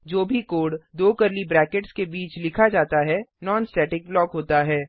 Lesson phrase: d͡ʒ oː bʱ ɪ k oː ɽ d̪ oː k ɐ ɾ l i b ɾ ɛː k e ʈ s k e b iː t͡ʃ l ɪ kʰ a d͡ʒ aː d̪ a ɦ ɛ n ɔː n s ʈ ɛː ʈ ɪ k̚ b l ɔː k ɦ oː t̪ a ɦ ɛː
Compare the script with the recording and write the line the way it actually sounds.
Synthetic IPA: d͡ʒ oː bʱ i k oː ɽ d̪ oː k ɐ ɾ l i b ɾ ɛː k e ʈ s k e b iː t͡ʃ l ɪ kʰ a d͡ʒ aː t̪ a ɦ ɛ n ɔː n s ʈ ɛː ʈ ɪ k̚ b l ɔː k ɦ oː t̪ a ɦ ɛː